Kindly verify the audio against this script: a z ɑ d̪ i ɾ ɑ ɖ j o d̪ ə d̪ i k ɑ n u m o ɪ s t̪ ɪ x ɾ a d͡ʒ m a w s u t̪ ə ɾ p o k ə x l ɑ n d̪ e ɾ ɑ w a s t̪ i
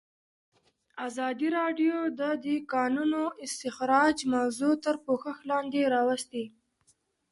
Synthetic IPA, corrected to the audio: a z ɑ d̪ i ɾ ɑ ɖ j o d̪ ə d̪ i k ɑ n u n o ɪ s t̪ ɪ x ɾ ɑ d͡ʒ m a w z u t̪ ə ɾ p o x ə x l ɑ n d̪ e ɾ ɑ w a s t̪ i